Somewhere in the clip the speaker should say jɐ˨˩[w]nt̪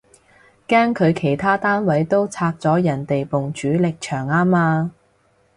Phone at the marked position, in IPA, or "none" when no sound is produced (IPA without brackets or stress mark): none